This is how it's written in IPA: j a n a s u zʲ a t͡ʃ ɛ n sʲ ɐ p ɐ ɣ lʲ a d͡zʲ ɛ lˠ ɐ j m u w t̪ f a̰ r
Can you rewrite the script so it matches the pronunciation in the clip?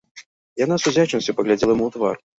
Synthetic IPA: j a n a s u zʲ a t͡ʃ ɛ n sʲ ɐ p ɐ ɣ lʲ a d͡zʲ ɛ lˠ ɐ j m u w t̪ v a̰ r